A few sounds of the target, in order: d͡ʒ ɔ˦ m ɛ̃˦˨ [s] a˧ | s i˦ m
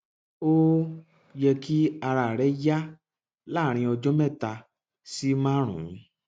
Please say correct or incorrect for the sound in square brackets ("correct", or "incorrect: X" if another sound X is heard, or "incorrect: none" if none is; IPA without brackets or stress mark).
incorrect: t